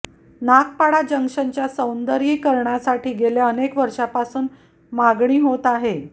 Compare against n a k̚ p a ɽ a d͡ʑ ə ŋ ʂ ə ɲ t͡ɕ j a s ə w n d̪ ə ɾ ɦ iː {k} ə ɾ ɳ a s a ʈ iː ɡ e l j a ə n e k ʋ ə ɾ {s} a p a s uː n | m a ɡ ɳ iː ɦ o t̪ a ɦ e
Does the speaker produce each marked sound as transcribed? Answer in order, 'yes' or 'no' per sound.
yes, no

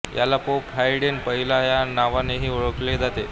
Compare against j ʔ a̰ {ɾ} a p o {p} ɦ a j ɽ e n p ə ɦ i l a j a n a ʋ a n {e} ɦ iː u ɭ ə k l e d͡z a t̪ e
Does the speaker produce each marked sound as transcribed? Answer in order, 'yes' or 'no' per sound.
no, yes, yes

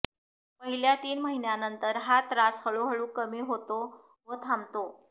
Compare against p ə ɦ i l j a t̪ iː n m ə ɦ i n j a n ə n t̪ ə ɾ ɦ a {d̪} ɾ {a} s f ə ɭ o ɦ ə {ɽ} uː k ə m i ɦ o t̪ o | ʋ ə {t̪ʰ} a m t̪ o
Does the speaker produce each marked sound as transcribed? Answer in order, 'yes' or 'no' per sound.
no, yes, no, yes

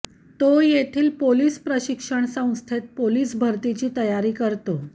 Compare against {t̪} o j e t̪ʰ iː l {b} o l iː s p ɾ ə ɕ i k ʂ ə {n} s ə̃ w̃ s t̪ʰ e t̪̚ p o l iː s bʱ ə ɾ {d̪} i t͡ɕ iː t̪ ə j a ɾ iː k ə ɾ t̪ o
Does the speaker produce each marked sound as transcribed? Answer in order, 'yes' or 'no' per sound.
yes, no, no, no

